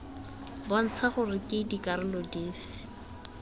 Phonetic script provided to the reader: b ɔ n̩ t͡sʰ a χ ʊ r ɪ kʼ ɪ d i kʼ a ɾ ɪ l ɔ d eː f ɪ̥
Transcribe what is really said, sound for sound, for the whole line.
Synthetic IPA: b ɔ n̩ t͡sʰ a χ ʊ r ɪ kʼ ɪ d i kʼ a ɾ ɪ l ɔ d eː f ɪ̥